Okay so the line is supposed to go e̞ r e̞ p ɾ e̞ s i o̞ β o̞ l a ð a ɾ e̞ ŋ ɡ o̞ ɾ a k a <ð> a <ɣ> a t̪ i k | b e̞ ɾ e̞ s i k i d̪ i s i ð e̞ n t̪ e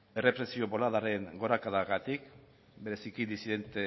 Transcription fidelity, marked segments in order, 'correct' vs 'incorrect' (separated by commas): correct, correct